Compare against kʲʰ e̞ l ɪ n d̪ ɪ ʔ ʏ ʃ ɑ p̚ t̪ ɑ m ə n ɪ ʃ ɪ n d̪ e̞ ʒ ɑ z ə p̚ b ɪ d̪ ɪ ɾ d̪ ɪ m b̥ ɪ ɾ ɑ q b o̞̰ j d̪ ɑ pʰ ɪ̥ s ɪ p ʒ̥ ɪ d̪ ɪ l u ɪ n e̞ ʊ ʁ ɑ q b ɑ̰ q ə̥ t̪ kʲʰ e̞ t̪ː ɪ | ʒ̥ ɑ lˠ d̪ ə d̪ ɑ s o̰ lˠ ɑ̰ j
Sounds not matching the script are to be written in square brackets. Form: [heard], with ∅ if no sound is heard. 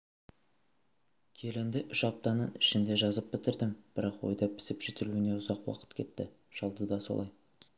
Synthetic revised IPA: kʲʰ e̞ l ɪ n d̪ ɪ ʔ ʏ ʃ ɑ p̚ t̪ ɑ [n] ə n ɪ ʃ ɪ n d̪ e̞ ʒ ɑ z ə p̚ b ɪ [t̪] ɪ ɾ d̪ ɪ m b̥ ɪ ɾ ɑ q [w] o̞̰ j d̪ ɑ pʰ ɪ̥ s ɪ p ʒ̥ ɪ [t̪] ɪ l u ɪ n e̞ ʊ [z] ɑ q [w] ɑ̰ q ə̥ t̪ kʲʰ e̞ t̪ː ɪ | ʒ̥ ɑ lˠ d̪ ə d̪ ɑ s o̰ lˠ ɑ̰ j